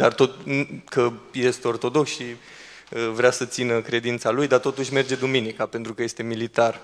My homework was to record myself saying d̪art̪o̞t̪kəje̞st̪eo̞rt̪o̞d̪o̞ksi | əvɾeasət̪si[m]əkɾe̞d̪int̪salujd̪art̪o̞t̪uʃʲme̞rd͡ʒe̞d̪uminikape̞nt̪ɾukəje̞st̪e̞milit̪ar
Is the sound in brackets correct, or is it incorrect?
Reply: incorrect